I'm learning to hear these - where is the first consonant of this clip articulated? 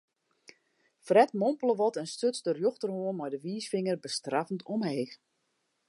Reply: lips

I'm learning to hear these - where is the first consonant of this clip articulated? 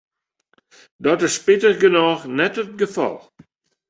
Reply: tongue tip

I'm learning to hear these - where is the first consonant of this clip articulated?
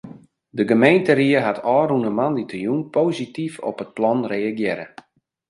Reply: tongue tip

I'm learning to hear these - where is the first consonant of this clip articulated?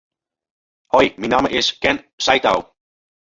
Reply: throat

